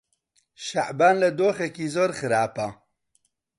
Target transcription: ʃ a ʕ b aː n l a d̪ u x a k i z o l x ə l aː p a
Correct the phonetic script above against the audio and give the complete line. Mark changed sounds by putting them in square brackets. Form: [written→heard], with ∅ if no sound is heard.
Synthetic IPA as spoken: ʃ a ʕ b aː n l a d̪ [u→o] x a k i z o [l→ɾ] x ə [l→ɾ] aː p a